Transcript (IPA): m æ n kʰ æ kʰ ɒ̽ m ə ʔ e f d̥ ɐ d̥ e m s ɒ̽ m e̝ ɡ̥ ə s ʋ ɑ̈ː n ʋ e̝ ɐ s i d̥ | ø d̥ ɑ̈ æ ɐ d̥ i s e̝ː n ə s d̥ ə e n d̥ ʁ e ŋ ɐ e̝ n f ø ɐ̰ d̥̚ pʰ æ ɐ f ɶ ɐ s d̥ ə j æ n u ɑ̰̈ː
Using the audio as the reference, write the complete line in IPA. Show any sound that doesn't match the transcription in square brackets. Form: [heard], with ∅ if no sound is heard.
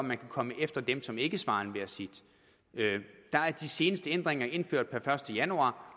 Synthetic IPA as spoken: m æ n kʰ æ kʰ ɒ̽ m ə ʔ e f d̥ ɐ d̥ e m s ɒ̽ m e̝ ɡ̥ ə s ʋ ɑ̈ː n ʋ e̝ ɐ s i d̥ | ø d̥ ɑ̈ æ ɐ d̥ i s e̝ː n ə s d̥ ə e n d̥ ʁ e ŋ ɐ e̝ n f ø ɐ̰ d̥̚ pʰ æ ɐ f ɶ ɐ s d̥ ə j æ n u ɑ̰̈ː